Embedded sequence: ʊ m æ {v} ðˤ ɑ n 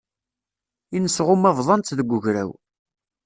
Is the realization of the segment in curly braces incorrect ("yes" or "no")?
no